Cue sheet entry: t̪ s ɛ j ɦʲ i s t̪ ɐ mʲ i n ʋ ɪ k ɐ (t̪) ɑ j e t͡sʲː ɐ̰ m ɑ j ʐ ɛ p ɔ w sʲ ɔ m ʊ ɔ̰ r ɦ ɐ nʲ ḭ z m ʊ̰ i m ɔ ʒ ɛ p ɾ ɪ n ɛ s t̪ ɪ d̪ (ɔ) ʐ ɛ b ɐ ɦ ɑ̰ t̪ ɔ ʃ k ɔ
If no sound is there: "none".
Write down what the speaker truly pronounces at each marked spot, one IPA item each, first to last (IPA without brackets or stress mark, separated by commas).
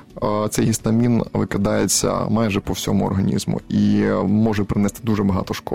d̪, u